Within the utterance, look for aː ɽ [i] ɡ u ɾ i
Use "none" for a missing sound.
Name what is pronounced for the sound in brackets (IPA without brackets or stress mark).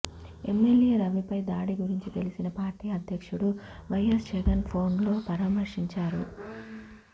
i